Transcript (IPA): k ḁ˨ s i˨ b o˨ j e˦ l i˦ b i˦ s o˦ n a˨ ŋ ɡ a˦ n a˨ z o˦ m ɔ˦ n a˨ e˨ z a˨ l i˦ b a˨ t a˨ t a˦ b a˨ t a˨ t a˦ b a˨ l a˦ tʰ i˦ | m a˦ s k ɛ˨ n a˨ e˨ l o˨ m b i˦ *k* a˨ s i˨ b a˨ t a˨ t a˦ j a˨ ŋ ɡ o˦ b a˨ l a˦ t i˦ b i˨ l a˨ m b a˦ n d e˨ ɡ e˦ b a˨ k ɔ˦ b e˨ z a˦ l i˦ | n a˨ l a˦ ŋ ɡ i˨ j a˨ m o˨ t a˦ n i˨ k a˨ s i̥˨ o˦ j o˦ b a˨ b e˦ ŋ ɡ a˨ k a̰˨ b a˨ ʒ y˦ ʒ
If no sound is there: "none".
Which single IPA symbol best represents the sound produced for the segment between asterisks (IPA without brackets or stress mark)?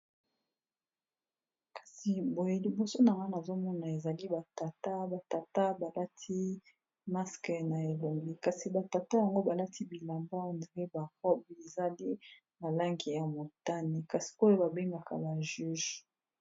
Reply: k